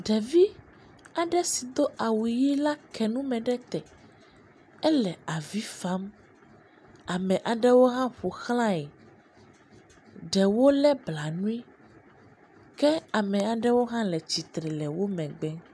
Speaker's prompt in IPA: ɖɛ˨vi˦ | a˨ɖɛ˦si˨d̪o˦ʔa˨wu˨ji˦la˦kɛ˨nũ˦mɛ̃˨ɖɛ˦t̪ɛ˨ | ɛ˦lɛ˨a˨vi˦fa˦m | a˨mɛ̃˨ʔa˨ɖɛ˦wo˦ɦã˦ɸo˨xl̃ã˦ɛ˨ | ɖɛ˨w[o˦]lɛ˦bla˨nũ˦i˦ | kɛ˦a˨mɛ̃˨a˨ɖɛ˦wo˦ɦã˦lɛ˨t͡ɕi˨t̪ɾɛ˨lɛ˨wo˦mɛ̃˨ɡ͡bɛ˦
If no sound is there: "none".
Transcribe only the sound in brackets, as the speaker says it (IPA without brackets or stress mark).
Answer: o˦